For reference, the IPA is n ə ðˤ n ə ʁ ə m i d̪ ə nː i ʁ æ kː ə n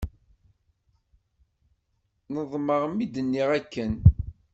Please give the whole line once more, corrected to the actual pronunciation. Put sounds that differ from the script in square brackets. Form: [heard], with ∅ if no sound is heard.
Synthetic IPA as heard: n ə ðˤ [m] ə ʁ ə m i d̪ ə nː i ʁ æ kː ə n